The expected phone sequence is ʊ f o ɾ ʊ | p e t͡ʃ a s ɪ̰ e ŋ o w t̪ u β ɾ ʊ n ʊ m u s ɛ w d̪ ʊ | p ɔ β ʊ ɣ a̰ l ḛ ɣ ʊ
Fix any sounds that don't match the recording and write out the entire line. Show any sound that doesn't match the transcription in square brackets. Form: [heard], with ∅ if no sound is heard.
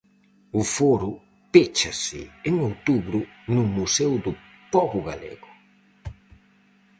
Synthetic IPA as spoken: ʊ f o ɾ ʊ | p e t͡ʃ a s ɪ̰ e ŋ o w t̪ u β ɾ ʊ n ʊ m u s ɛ w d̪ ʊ | p ɔ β ʊ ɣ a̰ l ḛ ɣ ʊ